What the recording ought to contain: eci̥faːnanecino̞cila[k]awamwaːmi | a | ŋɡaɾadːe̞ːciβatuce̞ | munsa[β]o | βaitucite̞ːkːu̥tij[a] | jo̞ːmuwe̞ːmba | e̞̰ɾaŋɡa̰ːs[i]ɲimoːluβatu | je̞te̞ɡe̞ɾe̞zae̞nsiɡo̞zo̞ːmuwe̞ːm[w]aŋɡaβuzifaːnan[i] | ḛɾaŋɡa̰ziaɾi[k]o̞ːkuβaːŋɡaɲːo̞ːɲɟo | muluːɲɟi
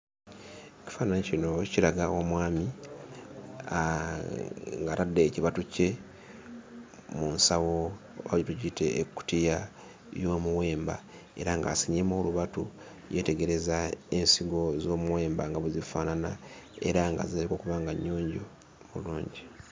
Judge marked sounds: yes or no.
no, no, yes, yes, no, no, yes

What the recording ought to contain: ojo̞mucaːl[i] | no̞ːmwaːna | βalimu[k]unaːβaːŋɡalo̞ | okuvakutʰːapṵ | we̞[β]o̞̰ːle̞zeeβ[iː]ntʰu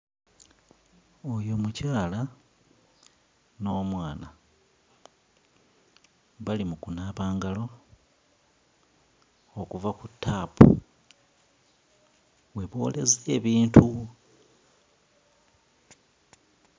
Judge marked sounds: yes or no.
no, yes, yes, yes

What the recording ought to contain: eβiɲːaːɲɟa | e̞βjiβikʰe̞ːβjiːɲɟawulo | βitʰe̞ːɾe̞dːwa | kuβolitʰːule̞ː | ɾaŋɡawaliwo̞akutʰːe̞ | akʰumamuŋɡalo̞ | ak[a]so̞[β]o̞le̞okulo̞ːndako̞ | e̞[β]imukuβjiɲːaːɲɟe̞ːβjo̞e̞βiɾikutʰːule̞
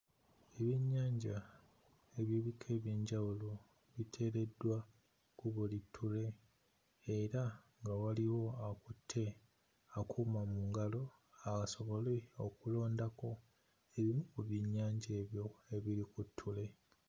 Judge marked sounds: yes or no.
yes, yes, yes

